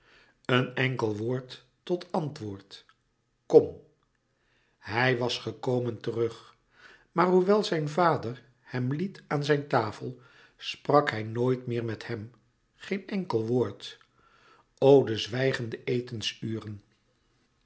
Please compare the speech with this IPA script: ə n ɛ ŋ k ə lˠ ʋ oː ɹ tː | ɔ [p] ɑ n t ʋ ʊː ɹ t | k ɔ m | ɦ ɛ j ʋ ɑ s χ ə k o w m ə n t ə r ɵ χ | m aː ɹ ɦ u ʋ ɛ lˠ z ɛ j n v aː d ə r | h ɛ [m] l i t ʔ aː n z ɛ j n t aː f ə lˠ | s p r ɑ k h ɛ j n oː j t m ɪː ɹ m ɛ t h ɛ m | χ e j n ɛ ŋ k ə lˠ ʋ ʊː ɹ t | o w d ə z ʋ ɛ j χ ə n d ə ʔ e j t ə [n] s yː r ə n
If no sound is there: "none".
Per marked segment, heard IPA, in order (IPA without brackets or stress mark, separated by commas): t, m, n